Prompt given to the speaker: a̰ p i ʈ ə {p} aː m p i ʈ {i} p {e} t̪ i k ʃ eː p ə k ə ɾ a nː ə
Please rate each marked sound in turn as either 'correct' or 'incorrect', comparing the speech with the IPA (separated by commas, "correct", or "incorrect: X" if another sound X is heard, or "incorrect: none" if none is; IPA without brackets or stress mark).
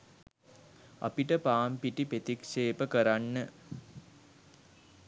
correct, correct, correct